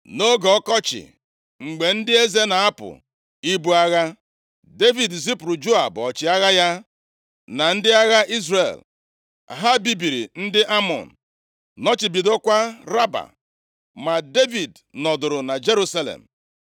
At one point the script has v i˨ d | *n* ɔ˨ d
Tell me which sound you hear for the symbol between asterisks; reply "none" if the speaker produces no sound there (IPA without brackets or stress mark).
n